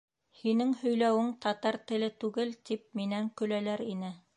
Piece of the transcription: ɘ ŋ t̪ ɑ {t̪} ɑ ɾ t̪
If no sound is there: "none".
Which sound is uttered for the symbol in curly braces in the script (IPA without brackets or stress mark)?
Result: t̪